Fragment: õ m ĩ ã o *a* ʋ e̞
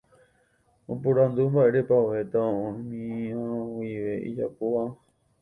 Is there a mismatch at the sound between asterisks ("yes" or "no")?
yes